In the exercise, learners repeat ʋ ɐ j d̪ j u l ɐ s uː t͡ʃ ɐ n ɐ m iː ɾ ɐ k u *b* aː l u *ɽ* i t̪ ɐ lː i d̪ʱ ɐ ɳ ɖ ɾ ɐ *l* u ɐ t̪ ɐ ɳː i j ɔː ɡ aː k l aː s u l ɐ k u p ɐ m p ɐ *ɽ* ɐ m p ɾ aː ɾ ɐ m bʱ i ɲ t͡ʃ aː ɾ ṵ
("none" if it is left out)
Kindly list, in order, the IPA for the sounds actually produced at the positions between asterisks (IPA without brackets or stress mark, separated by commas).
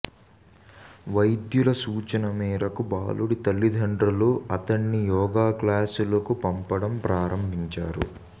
b, ɽ, l, ɽ